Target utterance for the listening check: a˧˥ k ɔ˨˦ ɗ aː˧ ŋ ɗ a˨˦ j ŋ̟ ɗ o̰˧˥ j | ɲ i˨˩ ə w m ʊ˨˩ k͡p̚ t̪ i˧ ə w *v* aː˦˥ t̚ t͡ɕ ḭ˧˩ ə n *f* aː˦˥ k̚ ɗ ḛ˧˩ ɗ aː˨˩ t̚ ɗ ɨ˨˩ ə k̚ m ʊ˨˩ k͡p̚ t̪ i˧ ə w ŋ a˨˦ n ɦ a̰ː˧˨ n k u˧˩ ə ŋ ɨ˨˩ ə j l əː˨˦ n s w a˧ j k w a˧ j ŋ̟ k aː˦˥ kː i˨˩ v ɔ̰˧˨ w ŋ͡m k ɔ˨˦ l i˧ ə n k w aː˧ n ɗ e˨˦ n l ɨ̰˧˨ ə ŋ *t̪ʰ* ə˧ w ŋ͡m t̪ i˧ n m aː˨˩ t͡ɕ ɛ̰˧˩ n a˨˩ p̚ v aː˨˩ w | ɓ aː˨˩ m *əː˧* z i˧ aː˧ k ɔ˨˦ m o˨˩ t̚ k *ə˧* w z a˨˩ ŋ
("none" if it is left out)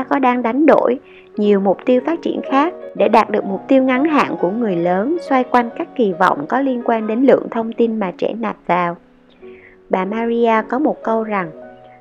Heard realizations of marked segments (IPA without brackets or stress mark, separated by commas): f, x, t̪ʰ, aː˧, ə˧